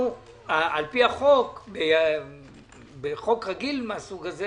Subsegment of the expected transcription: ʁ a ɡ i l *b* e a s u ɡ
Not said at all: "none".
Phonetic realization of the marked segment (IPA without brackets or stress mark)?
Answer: m